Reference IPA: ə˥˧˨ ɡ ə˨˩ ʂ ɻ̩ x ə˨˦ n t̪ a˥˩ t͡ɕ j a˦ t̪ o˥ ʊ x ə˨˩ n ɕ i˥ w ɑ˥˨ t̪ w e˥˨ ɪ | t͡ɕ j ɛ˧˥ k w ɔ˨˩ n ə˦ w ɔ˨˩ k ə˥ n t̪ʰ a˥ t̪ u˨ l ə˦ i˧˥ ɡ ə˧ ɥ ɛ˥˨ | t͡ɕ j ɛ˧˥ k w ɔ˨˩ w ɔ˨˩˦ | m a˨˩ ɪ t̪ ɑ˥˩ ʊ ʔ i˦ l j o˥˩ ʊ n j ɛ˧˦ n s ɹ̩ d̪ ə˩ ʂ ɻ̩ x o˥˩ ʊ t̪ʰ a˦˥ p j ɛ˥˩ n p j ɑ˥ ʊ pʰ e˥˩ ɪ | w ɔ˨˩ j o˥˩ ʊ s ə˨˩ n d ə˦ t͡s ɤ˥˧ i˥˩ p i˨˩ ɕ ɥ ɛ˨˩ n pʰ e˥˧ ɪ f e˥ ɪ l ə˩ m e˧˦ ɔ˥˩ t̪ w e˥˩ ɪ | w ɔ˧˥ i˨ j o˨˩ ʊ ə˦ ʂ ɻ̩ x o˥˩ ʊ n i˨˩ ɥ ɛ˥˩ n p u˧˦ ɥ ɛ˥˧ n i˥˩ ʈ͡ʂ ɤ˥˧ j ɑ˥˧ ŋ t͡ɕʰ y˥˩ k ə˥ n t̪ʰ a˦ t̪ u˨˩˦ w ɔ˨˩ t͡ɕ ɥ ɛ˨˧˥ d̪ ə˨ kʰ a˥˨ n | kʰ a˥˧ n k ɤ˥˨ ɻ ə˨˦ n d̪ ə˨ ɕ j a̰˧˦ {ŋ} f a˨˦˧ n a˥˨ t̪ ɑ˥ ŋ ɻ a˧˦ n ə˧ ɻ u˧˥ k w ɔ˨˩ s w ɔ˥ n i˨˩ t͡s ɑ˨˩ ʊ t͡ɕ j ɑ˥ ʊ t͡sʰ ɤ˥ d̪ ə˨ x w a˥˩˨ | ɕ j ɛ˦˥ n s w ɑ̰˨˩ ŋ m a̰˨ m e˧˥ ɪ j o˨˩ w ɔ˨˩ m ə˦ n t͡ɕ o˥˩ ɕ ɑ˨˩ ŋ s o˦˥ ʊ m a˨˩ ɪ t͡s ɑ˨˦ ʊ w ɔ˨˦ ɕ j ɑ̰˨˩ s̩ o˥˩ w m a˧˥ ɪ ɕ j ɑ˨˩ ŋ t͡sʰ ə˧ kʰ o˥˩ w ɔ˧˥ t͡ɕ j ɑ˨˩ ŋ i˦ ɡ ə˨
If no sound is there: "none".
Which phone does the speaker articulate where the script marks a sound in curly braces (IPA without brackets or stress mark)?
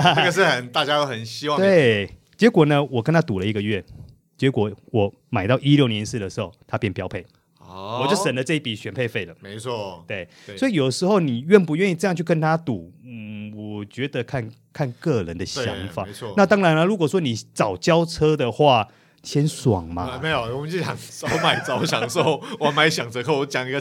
ŋ